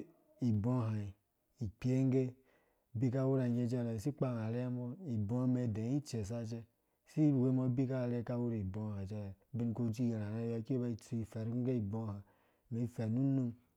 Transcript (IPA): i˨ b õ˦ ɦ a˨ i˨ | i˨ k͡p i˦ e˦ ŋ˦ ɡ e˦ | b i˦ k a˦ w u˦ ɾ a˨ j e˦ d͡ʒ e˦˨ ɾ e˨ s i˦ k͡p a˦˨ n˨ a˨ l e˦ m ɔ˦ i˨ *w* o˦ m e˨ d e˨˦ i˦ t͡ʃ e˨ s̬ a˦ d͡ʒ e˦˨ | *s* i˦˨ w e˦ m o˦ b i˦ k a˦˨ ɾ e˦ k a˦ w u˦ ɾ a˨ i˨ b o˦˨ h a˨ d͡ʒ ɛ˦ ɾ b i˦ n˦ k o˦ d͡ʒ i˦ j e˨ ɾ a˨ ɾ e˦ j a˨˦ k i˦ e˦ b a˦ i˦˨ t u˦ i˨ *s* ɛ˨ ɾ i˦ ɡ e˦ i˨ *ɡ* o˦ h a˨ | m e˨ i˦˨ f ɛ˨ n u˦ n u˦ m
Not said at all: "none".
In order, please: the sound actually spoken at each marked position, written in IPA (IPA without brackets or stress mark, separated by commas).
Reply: b, s, f, b